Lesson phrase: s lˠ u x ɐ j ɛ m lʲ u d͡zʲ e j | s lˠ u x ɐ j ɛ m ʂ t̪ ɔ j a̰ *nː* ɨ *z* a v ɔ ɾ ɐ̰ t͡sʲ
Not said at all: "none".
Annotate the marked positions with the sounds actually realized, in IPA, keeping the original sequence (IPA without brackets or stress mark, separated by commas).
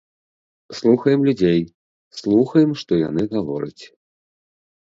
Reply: n, ɣ